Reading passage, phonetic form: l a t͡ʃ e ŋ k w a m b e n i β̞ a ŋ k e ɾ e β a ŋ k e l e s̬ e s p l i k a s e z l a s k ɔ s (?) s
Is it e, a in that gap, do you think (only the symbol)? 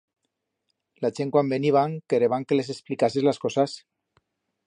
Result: a